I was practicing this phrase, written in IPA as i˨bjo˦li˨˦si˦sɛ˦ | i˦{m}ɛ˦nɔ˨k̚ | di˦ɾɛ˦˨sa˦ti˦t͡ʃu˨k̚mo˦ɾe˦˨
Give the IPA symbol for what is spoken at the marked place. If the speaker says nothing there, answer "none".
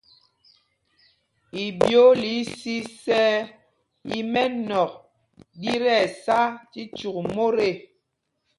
m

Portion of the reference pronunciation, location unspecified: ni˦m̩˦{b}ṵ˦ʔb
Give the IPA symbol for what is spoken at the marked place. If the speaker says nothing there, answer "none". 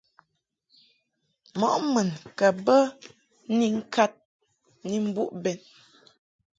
b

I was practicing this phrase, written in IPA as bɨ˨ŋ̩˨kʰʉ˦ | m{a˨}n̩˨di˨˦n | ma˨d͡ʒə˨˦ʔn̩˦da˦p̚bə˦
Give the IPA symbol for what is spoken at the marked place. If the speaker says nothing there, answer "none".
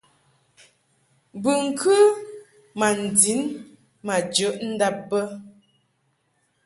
a˨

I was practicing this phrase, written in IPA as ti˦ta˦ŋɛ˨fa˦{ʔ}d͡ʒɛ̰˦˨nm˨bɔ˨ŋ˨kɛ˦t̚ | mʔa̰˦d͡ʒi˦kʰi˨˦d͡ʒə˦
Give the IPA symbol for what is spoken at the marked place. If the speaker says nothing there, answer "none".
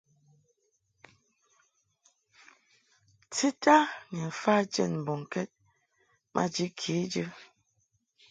none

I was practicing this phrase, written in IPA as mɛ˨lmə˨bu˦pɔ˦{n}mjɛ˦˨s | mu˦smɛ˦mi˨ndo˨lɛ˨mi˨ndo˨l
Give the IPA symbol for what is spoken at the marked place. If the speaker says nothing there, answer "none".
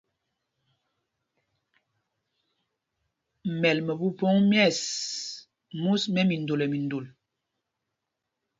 ŋ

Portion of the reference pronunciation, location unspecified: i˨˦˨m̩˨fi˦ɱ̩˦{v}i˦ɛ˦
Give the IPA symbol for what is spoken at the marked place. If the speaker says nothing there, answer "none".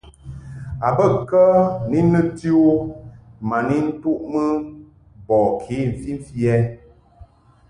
f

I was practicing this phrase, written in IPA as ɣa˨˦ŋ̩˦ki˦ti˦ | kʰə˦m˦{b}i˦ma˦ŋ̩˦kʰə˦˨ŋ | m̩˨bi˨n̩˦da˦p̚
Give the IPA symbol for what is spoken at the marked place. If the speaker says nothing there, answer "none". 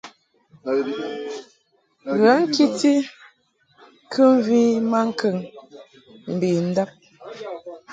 v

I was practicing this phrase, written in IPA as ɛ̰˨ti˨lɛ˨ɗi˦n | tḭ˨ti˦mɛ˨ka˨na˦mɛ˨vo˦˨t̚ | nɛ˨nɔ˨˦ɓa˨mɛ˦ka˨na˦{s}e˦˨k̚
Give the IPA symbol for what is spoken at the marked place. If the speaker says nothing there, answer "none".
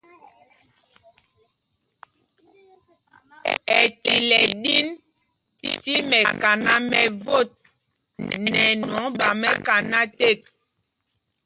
t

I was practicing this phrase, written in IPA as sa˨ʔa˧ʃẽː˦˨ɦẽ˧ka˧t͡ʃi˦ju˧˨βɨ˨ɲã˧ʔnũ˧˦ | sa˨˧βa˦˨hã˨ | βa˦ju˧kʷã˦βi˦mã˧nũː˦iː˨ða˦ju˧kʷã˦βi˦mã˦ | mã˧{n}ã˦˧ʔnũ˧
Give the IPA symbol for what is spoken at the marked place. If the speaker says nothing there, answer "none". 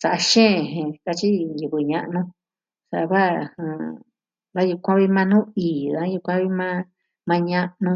ɲ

